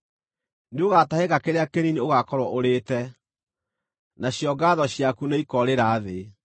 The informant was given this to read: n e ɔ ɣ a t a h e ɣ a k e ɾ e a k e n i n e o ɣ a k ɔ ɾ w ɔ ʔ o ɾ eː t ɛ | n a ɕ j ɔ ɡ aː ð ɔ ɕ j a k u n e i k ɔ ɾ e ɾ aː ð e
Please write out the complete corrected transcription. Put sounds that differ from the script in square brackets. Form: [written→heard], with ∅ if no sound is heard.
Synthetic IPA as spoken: n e [ɔ→o] ɣ a t a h e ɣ a k e ɾ e a k e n i n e o ɣ a k ɔ ɾ w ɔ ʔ o ɾ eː t ɛ | n a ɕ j ɔ ɡ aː ð ɔ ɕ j a k u n e i k ɔ ɾ e ɾ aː ð e